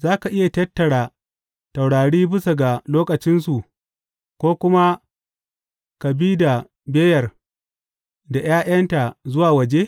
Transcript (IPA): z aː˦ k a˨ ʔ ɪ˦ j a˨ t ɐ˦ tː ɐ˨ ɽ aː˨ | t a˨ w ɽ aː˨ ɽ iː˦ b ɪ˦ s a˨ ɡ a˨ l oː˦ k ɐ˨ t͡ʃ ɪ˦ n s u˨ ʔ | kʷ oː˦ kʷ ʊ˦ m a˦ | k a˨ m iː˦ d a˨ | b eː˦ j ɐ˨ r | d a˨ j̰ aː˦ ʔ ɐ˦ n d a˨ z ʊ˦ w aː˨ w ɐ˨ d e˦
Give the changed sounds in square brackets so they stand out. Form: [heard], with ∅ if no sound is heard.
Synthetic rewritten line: z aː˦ k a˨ ʔ ɪ˦ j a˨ t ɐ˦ tː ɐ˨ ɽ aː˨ | t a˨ w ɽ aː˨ ɽ iː˦ b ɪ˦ s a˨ ɡ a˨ l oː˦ k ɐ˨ t͡ʃ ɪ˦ n s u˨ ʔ | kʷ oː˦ kʷ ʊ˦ m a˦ | k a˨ [b] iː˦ d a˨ | b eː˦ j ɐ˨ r | d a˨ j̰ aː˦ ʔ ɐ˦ n [t] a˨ z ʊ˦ w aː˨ w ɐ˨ [d͡ʒ] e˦

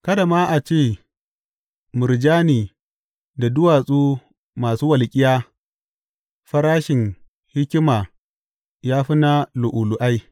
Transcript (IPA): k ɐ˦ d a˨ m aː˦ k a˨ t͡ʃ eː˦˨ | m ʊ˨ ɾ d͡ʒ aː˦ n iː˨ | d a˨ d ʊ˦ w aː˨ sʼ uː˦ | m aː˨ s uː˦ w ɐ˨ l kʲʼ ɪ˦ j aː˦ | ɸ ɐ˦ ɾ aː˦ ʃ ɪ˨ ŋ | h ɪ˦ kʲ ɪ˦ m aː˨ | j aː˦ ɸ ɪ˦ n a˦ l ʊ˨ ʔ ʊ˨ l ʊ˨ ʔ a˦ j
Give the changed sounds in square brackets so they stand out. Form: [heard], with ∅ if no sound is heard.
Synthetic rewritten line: k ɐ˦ d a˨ m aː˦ [ʔ] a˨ t͡ʃ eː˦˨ | m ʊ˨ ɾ d͡ʒ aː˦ n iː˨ | d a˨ d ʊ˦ w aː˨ sʼ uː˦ | m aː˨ s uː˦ w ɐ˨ l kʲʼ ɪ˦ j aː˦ | ɸ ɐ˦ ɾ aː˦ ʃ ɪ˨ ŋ | h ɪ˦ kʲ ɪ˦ m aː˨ | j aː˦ ɸ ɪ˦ n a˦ l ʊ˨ ʔ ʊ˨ l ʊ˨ ʔ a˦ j

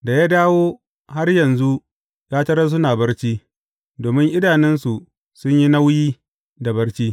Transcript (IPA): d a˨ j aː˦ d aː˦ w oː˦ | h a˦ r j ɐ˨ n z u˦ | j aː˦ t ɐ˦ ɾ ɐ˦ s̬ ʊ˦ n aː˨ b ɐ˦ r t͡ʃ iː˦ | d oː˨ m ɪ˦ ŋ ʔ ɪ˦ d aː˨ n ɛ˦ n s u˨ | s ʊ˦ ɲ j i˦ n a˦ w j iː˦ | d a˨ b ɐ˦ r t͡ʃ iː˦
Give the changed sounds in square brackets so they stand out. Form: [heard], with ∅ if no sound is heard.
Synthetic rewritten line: d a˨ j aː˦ d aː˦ w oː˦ | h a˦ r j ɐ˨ n z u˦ | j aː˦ t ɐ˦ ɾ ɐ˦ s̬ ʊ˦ n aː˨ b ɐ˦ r t͡ʃ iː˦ | d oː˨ m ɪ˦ ŋ ʔ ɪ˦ d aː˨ n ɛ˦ n s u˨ | s ʊ˦ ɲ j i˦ n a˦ w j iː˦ | d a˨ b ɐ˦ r t͡ʃ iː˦

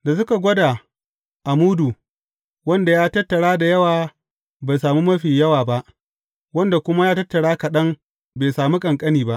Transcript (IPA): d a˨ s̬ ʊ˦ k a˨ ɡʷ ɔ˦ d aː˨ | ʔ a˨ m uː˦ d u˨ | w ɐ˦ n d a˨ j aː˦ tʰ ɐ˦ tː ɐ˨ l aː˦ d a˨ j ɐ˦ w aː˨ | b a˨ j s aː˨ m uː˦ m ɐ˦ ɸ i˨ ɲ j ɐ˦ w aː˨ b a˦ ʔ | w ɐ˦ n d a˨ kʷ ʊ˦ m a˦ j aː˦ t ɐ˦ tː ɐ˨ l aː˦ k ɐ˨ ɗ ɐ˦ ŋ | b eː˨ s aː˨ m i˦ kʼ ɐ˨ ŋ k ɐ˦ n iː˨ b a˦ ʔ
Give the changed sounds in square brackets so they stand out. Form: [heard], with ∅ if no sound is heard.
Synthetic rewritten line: d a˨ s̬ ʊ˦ k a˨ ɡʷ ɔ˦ d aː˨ | ʔ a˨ m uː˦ d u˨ | w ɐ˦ n d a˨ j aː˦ [t] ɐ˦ tː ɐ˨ [ɽ] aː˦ d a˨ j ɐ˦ w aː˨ | b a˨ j s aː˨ m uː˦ m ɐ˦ ɸ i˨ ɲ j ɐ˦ w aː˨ b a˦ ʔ | w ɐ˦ n d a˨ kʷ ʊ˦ m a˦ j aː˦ t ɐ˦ tː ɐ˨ [ɽ] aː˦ k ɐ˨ ɗ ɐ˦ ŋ | b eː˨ s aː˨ m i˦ kʼ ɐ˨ ŋ [kʼ] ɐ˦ n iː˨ b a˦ ʔ

